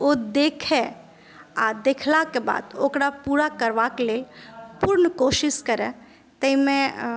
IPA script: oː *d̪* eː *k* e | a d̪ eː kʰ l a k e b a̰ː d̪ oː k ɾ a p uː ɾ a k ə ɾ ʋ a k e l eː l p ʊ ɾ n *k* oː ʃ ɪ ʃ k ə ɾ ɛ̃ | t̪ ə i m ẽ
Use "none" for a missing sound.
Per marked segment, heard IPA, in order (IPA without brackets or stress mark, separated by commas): d̪, kʰ, k